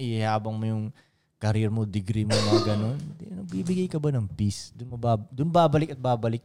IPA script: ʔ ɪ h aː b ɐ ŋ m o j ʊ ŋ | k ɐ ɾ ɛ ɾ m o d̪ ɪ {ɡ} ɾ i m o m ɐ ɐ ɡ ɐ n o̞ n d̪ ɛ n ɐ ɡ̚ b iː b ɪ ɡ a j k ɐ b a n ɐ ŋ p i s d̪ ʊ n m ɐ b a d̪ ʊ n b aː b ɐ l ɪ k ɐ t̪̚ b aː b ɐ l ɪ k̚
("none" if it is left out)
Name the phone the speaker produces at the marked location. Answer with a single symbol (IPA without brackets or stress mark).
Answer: ɡ